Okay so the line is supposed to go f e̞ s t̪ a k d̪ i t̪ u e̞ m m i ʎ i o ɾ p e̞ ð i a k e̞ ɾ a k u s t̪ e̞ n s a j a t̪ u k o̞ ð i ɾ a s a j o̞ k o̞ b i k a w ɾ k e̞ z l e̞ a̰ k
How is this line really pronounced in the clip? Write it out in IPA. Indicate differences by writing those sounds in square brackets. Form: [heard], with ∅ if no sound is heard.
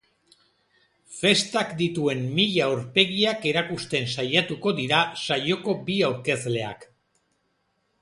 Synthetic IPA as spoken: f e̞ s t̪ a k d̪ i t̪ u e̞ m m i ʎ [a] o ɾ p e̞ [ɣ] i a k e̞ ɾ a k u s t̪ e̞ n s a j a t̪ u k o̞ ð i ɾ a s a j o̞ k o̞ b i [∅] a w ɾ k e̞ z l e̞ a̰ k